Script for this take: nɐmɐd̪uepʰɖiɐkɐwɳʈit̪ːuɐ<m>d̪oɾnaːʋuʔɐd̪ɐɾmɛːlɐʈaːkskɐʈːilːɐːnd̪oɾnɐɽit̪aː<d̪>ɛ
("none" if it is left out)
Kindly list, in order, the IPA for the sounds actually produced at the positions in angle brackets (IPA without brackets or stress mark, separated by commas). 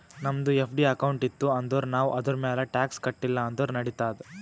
n, d̪